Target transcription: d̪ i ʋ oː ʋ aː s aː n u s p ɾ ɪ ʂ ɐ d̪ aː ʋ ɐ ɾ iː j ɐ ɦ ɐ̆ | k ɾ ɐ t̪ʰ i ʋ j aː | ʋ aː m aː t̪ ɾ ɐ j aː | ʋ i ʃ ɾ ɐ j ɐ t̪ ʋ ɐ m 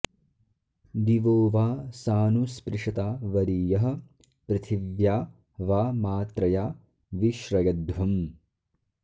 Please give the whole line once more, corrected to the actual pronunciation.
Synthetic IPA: d̪ i ʋ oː ʋ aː s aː n u s p ɾ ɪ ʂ ɐ t̪ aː ʋ ɐ ɾ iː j ɐ ɦ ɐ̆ | p ɾ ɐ t̪ʰ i ʋ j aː | ʋ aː m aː t̪ ɾ ɐ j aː | ʋ i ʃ ɾ ɐ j ɐ d̪ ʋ ɐ m

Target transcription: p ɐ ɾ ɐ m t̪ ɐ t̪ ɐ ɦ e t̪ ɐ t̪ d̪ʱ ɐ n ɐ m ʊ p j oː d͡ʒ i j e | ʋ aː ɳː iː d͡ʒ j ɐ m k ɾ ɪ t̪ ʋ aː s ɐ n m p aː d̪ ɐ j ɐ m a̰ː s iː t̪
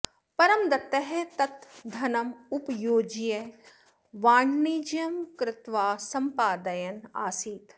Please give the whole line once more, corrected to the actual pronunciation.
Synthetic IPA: p ɐ ɾ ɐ m d̪ ɐ t̪ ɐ ɦ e t̪ ɐ t̪ d̪ʱ ɐ n ɐ m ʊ p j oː d͡ʒ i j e | ʋ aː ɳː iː d͡ʒ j ɐ m k ɾ ɪ t̪ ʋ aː s ɐ m p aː d̪ ɐ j ɐ n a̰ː s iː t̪

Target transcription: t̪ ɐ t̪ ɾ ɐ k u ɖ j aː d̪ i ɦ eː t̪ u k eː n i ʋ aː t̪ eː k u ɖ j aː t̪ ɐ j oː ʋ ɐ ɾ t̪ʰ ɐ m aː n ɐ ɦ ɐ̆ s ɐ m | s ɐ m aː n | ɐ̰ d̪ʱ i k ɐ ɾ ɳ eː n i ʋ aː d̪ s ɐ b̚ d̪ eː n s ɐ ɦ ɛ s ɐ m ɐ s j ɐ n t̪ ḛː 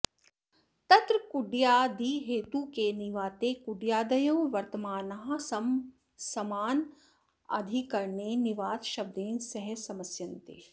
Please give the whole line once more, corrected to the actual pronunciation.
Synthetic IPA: t̪ ɐ t̪ ɾ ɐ k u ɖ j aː d̪ i ɦ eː t̪ u k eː n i ʋ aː t̪ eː k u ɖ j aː d̪ ɐ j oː ʋ ɐ ɾ t̪ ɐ m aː n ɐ ɦ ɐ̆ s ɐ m | s ɐ m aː n | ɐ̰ d̪ʱ i k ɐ ɾ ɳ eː n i ʋ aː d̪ ʃ ɐ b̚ d̪ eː n s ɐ ɦ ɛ s ɐ m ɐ s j ɐ n t̪ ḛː

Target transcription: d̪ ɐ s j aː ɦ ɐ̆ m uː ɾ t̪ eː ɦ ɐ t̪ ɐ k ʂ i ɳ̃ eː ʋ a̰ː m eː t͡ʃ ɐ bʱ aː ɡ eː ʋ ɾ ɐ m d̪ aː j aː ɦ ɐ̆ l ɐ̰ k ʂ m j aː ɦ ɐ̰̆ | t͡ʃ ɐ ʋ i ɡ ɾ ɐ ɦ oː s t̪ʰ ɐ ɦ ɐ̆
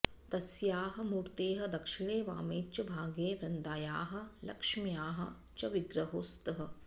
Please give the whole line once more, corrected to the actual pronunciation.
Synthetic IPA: t̪ ɐ s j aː ɦ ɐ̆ m uː ɾ t̪ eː ɦ ɐ d̪ ɐ k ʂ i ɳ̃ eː ʋ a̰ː m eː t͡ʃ ɐ bʱ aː ɡ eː ʋ ɾ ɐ n d̪ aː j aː ɦ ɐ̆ l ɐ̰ k ʂ m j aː ɦ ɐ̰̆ | t͡ʃ ɐ ʋ i ɡ ɾ ɐ ɦ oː s t̪ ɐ ɦ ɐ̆

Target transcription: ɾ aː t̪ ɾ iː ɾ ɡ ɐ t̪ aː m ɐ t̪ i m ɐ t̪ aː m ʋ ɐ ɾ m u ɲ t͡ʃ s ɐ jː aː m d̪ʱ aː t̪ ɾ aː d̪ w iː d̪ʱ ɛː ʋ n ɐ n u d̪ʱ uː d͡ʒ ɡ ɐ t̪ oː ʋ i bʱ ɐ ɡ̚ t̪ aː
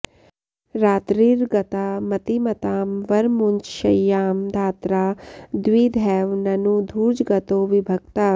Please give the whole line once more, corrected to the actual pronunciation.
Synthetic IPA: ɾ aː t̪ ɾ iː ɾ ɡ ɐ t̪ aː m ɐ t̪ i m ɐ t̪ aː m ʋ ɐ ɾ m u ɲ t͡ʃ ʃ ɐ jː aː m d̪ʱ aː t̪ ɾ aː d̪ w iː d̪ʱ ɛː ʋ n ɐ n u d̪ʱ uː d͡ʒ ɡ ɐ t̪ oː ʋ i bʱ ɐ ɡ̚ t̪ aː

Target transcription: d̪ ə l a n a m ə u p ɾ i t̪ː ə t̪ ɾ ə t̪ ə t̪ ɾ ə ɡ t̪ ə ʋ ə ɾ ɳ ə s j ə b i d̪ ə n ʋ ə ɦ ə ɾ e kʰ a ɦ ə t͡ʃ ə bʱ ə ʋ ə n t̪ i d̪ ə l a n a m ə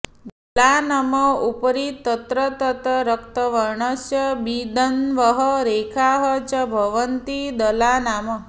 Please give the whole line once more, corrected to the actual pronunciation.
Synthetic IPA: d̪ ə l a n a m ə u p ɾ i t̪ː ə t̪ ɾ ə t̪ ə t̪ ɾ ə k t̪ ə ʋ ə ɾ ɳ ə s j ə b i d̪ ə n ʋ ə ɦ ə ɾ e kʰ a ɦ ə t͡ʃ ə bʱ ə ʋ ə n t̪ i d̪ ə l a n a m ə

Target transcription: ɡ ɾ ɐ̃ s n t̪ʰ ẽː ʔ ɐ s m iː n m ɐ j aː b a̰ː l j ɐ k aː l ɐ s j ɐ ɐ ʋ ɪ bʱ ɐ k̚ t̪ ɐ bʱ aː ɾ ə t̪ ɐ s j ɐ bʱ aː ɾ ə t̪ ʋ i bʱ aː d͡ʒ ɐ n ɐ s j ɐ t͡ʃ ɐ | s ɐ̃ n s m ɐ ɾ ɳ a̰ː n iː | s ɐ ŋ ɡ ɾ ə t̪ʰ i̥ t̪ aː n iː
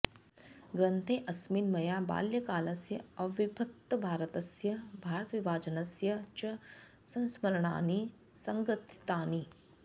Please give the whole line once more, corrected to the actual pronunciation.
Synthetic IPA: ɡ ɾ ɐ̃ n t̪ʰ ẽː ʔ ɐ s m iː n m ɐ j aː b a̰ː l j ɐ k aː l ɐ s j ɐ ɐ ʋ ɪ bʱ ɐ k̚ t̪ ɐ bʱ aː ɾ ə t̪ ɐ s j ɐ bʱ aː ɾ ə t̪ ʋ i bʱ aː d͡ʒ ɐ n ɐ s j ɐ t͡ʃ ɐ | s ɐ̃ n s m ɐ ɾ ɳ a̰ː n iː | s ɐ ŋ ɡ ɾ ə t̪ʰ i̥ t̪ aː n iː

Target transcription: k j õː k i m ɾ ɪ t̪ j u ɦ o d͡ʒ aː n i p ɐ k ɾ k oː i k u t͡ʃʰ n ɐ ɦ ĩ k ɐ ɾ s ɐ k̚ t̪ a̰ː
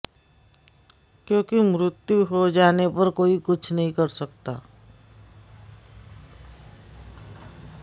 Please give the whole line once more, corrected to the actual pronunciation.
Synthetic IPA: k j õː k i m ɾ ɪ t̪ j u ɦ o d͡ʒ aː n e p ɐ ɾ k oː i k ʊ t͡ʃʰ n ɐ ɦ ĩ k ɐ ɾ s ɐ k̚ t̪ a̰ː

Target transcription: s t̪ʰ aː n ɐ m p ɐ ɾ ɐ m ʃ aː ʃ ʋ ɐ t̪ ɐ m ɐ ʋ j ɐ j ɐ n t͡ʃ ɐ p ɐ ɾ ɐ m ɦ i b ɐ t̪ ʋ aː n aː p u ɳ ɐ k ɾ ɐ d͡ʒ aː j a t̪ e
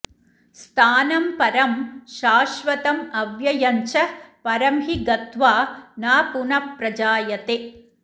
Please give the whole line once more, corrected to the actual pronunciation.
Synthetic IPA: s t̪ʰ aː n ɐ m p ɐ ɾ ɐ m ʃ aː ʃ ʋ ɐ t̪ ɐ m ɐ ʋ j ɐ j ɐ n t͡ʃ ɐ p ɐ ɾ ɐ m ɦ i ɡ ɐ t̪ ʋ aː n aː p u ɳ ɐ p ɾ ɐ d͡ʒ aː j ɐ t̪ e

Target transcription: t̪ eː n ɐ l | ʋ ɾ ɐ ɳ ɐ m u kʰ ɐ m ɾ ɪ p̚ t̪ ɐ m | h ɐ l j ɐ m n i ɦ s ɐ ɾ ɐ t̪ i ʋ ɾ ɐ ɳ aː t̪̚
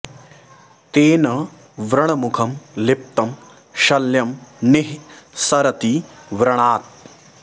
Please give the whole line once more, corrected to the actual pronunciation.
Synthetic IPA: t̪ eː n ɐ | ʋ ɾ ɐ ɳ ɐ m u kʰ ɐ m l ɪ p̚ t̪ ɐ m | ʃ ɐ l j ɐ m n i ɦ s ɐ ɾ ɐ t̪ i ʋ ɾ ɐ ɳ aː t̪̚

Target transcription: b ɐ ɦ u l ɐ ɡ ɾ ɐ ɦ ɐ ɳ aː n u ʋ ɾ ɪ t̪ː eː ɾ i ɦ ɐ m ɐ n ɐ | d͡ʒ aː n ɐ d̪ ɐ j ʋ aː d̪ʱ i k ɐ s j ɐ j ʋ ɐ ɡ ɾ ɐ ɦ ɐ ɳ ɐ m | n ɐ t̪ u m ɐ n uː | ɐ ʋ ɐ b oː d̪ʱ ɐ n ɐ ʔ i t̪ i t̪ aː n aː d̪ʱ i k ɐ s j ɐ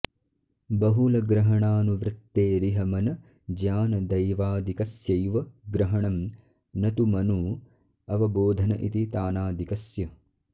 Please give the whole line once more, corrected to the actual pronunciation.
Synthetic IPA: b ɐ ɦ u l ɐ ɡ ɾ ɐ ɦ ɐ ɳ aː n u ʋ ɾ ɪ t̪ː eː ɾ i ɦ ɐ m ɐ n ɐ | d͡ʒ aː n ɐ d̪ ɐ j ʋ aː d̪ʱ i k ɐ s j ɐ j ʋ ɐ ɡ ɾ ɐ ɦ ɐ ɳ ɐ m | n ɐ t̪ u m ɐ n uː | ɐ ʋ ɐ b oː d̪ʱ ɐ n ɐ ʔ i t̪ i t̪ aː n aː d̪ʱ i k ɐ s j ɐ

